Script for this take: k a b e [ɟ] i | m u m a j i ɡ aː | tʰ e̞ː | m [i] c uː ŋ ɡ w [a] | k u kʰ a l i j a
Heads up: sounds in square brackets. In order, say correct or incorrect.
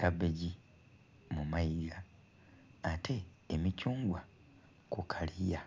correct, correct, correct

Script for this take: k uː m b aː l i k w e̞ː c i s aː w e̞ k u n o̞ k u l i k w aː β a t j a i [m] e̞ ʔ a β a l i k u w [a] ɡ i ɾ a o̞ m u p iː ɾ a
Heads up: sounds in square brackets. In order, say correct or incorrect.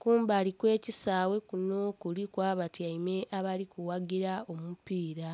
correct, correct

